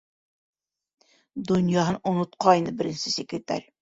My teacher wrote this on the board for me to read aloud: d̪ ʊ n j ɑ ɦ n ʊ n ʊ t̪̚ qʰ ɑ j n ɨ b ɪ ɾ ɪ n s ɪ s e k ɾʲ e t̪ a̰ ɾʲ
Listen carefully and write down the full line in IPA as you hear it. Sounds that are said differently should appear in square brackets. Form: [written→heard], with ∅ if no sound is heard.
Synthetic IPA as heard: d̪ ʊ n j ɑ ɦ n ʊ n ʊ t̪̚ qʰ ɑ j n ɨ b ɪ ɾ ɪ n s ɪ s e k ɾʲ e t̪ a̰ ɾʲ